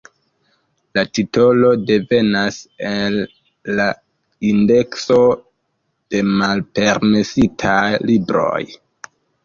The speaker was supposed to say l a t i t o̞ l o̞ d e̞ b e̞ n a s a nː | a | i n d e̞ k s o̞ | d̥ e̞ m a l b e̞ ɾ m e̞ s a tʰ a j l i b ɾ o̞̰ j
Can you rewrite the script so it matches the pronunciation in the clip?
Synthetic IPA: l a t i t o̞ l o̞ d e̞ v e̞ n a s e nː | a | i n d e̞ k s o̞ | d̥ e̞ m a l p e̞ ɾ m e̞ s i tʰ a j l i b ɾ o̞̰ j